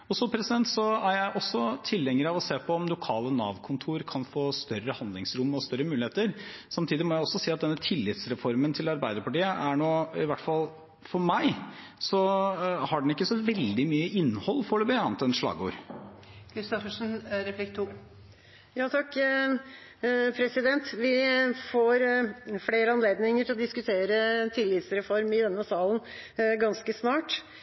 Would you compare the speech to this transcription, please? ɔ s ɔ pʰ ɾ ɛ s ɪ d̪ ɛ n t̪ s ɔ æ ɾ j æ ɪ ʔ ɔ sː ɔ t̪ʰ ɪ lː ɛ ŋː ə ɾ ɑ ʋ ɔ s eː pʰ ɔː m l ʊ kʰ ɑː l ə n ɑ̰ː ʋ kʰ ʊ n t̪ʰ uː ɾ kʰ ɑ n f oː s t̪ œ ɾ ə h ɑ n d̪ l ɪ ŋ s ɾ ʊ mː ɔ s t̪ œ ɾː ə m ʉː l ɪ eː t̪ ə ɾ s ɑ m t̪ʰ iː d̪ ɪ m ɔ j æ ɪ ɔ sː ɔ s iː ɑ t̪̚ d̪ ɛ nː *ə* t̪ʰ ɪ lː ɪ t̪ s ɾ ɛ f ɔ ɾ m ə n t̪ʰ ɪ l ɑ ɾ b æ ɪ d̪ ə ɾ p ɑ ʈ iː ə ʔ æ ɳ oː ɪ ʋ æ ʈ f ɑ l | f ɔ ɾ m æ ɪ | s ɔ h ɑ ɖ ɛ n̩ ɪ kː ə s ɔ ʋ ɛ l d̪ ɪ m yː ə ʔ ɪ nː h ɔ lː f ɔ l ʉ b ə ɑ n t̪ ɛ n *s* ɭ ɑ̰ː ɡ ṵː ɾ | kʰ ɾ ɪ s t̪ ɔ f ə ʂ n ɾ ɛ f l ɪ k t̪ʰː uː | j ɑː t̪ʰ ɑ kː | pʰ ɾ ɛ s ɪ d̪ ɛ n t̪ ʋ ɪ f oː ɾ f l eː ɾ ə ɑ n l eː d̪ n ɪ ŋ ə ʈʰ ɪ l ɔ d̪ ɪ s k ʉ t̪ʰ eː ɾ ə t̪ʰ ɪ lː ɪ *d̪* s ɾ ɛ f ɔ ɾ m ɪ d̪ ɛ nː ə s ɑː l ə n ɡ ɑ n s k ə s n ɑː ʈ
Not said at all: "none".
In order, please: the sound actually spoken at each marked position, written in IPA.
ə, ʂ, t̪

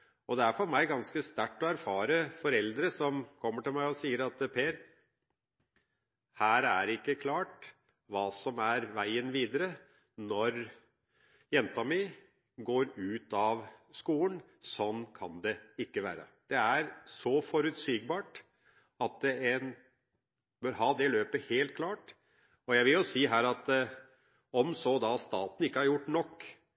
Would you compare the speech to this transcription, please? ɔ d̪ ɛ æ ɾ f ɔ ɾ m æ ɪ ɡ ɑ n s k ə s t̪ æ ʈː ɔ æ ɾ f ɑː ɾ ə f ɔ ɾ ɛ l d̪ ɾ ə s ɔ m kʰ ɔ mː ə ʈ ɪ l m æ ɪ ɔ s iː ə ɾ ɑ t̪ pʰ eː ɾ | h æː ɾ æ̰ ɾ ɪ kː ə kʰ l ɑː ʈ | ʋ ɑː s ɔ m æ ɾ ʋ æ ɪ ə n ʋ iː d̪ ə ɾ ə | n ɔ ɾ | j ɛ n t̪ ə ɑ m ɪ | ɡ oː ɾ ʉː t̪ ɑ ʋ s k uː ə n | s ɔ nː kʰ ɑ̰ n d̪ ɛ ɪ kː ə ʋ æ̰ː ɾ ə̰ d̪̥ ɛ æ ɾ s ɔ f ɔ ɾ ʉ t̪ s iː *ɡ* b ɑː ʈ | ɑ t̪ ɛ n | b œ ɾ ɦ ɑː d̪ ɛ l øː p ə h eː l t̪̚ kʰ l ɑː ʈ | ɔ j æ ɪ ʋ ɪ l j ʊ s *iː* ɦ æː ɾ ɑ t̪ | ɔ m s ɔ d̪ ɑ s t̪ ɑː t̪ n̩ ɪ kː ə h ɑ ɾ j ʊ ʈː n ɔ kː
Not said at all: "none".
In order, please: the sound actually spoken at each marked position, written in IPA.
ɡ, iː

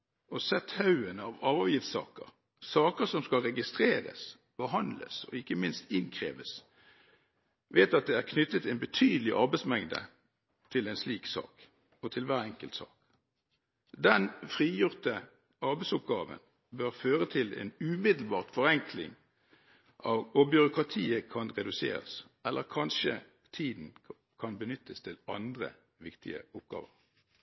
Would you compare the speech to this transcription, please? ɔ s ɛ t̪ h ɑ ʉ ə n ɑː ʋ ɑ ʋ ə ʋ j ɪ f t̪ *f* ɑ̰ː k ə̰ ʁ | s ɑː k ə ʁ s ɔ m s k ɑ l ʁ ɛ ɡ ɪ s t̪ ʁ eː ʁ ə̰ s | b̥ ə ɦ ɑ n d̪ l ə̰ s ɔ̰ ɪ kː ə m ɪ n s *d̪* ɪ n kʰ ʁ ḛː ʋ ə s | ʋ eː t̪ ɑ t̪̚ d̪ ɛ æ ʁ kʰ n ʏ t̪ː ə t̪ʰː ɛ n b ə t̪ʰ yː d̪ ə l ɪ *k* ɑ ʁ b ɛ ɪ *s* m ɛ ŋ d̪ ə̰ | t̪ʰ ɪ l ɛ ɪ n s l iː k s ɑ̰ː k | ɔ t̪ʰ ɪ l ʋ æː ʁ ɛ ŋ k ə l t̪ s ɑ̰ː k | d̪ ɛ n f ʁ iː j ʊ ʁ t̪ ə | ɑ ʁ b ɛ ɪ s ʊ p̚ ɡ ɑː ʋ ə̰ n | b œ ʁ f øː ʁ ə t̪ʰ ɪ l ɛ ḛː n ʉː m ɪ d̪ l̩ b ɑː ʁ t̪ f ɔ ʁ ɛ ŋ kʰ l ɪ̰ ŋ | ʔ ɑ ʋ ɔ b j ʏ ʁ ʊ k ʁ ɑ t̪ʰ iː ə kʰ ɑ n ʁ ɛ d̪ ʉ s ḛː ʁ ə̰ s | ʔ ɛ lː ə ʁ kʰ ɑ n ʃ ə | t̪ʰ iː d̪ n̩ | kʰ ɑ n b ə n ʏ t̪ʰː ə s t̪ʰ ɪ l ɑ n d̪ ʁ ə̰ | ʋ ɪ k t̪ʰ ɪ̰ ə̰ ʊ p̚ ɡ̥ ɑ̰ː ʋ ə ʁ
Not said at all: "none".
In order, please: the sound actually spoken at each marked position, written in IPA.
s, t̪, ʔ, s

